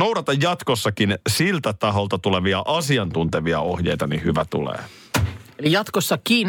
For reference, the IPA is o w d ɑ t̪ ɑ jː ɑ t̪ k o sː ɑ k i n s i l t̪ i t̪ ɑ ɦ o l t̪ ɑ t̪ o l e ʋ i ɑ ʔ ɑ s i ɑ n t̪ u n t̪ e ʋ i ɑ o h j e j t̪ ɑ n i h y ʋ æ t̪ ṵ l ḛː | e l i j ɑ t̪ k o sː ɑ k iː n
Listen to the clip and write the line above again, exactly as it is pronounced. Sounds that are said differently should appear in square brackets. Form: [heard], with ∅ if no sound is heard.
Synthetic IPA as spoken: o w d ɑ t̪ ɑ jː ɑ t̪ k o sː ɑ k i n s i l t̪ [æ] t̪ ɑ ɦ o l t̪ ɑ t̪ [u] l e ʋ i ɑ ʔ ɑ s i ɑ n t̪ u n t̪ e ʋ i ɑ o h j e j t̪ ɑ n i h y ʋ æ t̪ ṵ l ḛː | e l i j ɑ t̪ k o sː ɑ k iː n